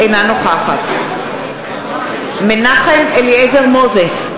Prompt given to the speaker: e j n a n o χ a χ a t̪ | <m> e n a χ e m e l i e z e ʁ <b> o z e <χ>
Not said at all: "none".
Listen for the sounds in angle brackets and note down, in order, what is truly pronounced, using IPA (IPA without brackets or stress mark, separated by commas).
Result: m, m, s